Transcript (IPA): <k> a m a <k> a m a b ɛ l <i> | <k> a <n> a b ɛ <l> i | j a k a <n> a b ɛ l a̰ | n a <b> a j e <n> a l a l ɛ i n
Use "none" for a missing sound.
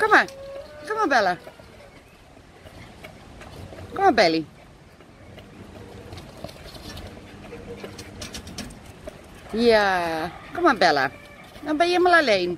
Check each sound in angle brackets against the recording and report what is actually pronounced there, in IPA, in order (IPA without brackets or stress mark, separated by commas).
k, k, a, k, m, l, m, b, m